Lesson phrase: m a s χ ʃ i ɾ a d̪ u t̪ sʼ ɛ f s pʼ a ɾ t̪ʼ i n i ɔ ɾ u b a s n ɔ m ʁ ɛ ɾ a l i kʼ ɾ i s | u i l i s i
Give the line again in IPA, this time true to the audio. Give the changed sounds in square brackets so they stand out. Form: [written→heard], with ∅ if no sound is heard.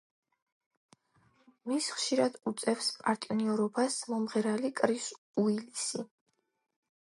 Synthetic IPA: m [a→i] s χ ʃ i ɾ a d̪ u t̪ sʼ ɛ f s pʼ a ɾ t̪ʼ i n i ɔ ɾ [u→ɔ] b a s [n→m] ɔ m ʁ ɛ ɾ a l i kʼ ɾ i s | u i l i s i